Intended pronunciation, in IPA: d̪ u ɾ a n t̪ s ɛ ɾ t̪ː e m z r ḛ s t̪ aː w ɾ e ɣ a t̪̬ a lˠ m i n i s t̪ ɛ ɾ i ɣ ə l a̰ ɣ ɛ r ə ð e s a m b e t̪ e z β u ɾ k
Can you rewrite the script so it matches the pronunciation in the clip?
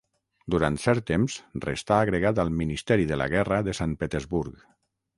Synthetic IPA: d̪ u ɾ a n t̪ s ɛ ɾ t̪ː e m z r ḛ s t̪ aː ɣ ɾ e ɣ a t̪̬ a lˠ m i n i s t̪ ɛ ɾ i ð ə l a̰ ɣ ɛ r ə ð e s a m p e t̪ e z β u ɾ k